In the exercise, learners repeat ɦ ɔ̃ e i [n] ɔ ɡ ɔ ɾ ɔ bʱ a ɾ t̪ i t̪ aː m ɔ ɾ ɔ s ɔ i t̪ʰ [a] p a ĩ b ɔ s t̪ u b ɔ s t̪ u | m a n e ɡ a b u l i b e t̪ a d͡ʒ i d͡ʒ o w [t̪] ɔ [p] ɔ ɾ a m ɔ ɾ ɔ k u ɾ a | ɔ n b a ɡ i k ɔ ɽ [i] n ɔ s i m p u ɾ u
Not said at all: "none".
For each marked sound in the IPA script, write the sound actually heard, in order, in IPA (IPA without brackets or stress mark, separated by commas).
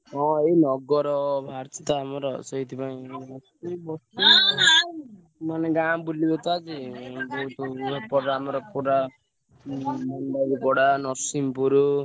n, i, t̪, p, a